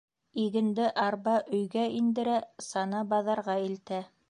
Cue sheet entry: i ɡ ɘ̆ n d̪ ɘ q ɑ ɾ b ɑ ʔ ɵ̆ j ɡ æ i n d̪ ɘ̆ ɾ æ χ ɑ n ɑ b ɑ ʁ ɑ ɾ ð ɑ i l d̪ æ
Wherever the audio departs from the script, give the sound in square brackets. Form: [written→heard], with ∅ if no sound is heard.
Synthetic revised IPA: i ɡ ɘ̆ n d̪ ɘ [q→ʔ] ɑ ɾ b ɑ ʔ ɵ̆ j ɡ æ i n d̪ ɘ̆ ɾ æ [χ→s] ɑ n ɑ b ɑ [ʁ→ð] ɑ ɾ [ð→ʁ] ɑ i l [d̪→t̪] æ